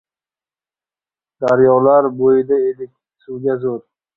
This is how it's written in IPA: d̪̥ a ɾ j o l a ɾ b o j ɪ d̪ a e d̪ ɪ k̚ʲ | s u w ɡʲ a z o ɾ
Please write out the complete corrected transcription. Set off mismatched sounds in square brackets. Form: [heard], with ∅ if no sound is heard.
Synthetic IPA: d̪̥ a ɾ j [ɒ] l a ɾ b o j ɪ d̪ a e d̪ ɪ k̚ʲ | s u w ɡʲ a z o ɾ